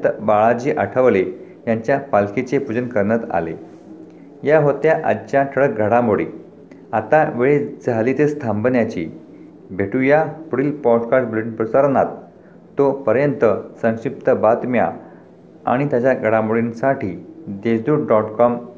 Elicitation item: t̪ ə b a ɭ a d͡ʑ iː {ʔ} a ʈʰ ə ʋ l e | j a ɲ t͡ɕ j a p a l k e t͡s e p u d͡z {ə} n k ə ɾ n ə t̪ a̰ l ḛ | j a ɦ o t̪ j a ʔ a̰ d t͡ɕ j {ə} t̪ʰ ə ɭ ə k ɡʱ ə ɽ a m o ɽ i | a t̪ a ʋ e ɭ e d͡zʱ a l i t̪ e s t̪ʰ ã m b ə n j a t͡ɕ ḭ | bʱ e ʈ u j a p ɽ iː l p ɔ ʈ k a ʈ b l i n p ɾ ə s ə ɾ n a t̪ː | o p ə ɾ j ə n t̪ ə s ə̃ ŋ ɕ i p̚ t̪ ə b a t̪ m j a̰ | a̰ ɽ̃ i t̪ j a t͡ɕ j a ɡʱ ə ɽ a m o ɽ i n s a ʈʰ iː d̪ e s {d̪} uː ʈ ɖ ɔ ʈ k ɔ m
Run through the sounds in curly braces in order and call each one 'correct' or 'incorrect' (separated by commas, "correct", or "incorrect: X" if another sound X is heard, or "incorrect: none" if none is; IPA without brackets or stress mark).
correct, correct, incorrect: a, correct